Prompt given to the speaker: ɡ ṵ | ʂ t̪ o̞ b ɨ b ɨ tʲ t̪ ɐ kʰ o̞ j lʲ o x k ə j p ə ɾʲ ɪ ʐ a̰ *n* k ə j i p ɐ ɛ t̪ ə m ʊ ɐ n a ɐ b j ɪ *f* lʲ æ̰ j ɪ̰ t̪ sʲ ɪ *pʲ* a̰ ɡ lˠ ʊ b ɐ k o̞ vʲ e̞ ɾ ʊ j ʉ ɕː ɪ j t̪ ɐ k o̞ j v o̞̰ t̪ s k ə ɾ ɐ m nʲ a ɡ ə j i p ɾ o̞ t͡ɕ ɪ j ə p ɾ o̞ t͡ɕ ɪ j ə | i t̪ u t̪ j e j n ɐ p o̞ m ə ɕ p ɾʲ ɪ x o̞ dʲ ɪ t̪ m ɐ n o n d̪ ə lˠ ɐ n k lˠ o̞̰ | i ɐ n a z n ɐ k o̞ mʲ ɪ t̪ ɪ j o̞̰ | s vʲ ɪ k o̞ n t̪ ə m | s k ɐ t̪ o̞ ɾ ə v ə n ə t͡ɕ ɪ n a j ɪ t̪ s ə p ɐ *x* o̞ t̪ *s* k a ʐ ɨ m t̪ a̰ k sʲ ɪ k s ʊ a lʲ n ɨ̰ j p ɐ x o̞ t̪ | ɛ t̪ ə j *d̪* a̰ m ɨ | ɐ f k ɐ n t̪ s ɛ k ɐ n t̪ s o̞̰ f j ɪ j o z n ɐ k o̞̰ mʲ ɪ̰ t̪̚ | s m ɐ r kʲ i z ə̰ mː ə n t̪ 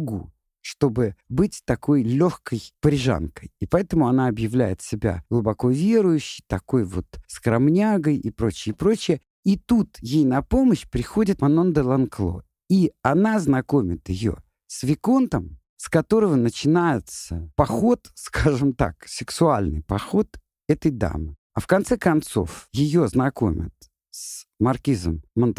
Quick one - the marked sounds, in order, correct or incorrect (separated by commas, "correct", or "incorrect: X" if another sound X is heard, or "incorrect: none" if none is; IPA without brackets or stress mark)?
correct, incorrect: v, incorrect: bʲ, correct, correct, correct